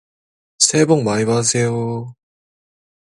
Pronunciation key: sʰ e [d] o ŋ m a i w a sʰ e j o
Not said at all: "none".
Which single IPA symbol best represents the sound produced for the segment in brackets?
b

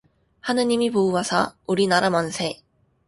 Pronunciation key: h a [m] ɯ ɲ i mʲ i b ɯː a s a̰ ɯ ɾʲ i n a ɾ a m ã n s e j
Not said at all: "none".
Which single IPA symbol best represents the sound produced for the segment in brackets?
n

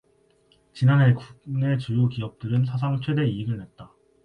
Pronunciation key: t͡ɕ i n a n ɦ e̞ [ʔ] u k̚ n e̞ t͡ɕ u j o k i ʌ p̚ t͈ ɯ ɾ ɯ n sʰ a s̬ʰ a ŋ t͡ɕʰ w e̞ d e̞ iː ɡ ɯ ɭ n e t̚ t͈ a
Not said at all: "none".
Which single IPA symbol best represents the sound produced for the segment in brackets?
k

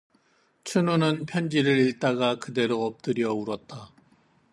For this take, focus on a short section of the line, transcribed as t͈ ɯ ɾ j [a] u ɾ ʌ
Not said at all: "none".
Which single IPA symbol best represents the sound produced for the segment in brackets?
ʌ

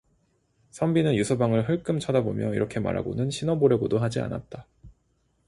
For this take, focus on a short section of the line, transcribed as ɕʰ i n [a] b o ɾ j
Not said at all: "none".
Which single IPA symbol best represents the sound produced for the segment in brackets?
ʌ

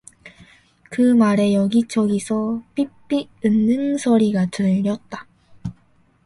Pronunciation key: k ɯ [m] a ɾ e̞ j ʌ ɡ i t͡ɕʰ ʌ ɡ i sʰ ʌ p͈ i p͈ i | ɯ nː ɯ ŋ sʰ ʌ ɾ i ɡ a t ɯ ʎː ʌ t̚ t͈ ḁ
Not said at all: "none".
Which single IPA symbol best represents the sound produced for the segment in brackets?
m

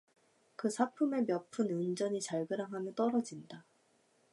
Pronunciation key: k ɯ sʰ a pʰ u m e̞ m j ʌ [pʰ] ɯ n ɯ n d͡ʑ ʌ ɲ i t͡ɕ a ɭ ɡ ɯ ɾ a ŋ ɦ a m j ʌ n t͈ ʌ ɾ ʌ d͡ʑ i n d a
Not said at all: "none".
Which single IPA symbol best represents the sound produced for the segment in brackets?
pʰ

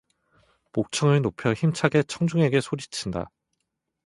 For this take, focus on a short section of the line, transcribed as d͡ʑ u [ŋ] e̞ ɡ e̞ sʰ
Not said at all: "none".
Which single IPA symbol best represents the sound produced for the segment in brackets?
ŋ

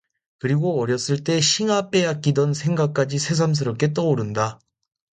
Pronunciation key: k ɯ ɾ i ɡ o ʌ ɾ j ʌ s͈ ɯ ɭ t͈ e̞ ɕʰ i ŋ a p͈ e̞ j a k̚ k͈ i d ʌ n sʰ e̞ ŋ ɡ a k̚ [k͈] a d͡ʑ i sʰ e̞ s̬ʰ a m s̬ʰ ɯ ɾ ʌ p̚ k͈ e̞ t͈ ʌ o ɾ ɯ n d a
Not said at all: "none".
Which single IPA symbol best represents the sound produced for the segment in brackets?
k͈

